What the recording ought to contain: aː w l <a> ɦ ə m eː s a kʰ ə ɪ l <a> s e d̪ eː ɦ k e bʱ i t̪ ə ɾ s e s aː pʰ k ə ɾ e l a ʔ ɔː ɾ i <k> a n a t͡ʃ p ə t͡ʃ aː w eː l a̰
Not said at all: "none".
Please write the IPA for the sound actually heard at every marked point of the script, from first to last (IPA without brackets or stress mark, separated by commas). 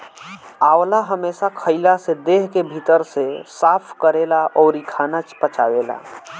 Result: a, a, kʰ